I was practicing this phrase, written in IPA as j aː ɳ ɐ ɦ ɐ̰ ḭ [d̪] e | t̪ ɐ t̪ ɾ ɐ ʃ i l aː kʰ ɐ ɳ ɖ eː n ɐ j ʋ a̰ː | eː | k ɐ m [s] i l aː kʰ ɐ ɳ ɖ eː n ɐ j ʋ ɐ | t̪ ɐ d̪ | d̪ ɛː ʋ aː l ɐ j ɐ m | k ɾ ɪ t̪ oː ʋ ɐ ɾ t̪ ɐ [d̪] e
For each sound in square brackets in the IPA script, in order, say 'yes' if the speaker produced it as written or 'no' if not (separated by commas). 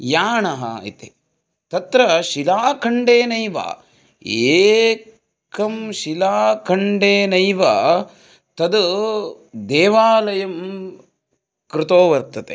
no, no, no